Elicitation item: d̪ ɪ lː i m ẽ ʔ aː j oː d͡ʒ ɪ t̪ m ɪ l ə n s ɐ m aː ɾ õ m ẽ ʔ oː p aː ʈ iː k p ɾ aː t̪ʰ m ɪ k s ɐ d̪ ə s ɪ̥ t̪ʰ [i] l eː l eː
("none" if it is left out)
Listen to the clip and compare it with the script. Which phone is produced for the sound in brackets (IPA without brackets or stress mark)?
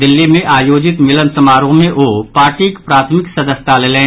a